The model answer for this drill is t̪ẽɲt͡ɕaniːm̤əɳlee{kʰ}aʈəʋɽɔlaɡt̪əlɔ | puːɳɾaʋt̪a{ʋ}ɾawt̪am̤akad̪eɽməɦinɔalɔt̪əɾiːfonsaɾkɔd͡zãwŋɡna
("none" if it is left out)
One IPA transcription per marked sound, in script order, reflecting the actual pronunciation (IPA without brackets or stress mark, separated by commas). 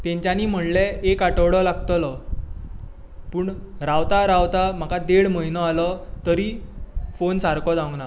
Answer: k, none